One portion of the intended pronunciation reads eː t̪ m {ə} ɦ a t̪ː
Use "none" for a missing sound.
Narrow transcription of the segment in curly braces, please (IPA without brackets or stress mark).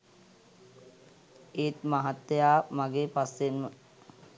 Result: a